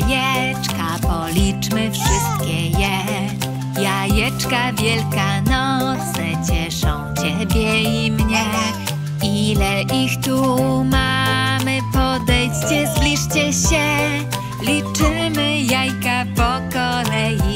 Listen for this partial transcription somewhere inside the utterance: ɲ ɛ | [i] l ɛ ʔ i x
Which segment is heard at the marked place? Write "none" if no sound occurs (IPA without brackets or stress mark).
i